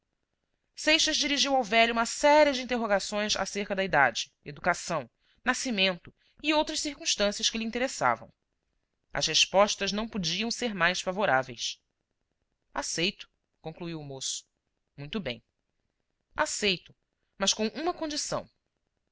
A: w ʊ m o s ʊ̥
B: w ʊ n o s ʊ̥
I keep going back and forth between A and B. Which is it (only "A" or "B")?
A